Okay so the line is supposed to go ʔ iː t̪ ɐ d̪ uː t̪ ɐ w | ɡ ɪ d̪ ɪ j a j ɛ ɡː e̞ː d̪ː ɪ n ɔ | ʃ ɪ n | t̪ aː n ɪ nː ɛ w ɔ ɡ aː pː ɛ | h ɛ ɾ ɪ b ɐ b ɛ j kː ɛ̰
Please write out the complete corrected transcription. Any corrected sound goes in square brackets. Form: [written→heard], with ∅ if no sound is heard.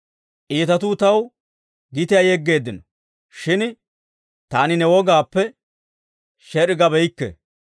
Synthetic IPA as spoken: ʔ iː t̪ ɐ [d̪→t̪] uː t̪ ɐ w | ɡ ɪ [d̪→t̪] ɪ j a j ɛ ɡː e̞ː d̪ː ɪ n ɔ | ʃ ɪ n | t̪ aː n ɪ [nː→n] ɛ w ɔ ɡ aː pː ɛ | [h→ʃ] ɛ ɾ ɪ [b→ɡ] ɐ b ɛ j kː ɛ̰